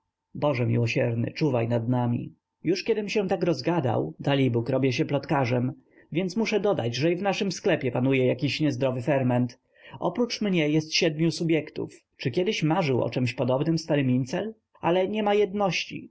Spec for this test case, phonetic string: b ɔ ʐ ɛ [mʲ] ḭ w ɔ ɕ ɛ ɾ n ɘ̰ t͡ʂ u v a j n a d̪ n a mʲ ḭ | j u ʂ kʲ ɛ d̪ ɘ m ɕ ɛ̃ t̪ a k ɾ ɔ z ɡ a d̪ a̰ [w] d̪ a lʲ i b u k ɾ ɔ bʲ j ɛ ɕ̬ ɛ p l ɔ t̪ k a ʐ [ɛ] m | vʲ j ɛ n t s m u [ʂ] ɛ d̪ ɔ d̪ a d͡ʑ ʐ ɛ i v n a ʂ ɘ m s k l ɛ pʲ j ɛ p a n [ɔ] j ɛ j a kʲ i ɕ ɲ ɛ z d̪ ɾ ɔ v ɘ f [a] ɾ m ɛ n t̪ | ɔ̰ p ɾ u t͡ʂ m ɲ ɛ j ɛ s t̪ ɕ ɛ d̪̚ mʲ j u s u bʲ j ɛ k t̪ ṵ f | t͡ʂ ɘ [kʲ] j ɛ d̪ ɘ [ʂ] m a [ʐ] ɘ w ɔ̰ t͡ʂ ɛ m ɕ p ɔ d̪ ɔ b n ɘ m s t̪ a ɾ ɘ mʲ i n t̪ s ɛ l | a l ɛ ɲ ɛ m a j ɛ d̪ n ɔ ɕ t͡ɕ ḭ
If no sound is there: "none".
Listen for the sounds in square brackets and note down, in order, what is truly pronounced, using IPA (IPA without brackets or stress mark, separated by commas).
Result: mʲ, w, ɛ, ʂ, u, ɛ, kʲ, ɕ, ʐ